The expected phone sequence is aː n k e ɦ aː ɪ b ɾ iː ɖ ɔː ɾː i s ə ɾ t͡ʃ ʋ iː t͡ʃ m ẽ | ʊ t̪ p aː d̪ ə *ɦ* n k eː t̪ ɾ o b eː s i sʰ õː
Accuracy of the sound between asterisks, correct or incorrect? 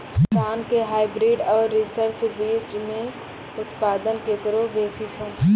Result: incorrect: none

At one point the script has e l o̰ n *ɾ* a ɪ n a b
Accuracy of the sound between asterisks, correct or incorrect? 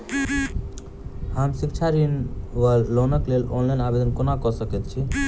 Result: incorrect: l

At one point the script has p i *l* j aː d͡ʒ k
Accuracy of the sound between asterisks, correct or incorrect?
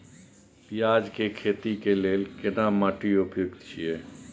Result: incorrect: none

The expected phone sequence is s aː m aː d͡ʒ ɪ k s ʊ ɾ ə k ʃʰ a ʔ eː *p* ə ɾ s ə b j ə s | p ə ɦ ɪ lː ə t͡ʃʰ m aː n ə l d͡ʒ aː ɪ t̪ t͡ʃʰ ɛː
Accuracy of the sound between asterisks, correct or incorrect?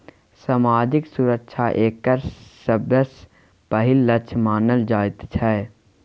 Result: incorrect: k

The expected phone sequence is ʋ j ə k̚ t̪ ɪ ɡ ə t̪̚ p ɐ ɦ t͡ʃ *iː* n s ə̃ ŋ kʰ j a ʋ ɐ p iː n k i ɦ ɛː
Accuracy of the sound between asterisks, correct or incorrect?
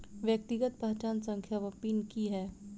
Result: incorrect: aː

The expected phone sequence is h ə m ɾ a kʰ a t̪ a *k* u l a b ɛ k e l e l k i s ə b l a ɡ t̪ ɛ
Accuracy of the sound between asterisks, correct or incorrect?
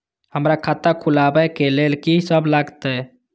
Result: incorrect: kʰ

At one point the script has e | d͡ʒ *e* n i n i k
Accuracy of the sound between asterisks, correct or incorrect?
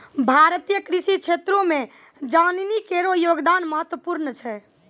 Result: incorrect: a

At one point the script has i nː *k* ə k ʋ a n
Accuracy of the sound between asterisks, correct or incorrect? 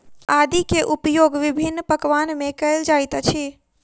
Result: incorrect: p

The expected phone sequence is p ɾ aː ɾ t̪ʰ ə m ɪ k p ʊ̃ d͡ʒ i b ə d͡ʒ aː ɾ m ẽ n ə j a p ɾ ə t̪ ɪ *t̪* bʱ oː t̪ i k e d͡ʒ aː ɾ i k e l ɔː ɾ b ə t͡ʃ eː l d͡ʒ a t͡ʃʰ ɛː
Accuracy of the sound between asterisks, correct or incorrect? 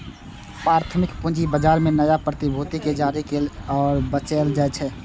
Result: incorrect: none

